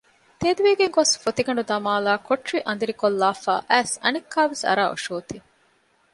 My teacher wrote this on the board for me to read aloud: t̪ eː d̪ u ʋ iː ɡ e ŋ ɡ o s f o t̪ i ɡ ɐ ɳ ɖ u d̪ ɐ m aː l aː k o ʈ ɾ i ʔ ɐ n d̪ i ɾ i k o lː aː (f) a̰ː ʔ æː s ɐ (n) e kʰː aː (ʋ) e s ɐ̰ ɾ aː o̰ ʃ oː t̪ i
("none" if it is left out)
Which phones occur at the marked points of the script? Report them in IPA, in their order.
f, n, ʋ

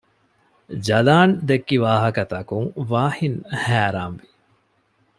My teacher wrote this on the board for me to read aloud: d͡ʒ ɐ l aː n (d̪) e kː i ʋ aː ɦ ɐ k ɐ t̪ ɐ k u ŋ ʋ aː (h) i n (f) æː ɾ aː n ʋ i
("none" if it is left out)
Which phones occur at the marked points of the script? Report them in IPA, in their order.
d̪, h, h

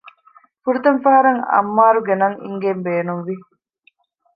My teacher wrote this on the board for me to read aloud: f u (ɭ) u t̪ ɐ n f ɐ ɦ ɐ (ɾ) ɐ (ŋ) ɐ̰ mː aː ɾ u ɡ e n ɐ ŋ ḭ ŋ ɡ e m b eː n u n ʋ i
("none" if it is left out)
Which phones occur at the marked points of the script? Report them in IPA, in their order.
ɾ, ɾ, ŋ

